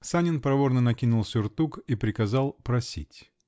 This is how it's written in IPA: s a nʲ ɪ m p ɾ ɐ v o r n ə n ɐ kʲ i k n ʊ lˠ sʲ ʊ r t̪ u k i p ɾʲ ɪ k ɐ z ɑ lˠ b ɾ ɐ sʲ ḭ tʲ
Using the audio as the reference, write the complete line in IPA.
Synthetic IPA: s a nʲ ɪ n p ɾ ɐ v o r n ə n ɐ kʲ i n ʊ lˠ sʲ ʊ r t̪ u k i p ɾʲ ɪ k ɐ z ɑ lˠ p ɾ ɐ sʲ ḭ tʲ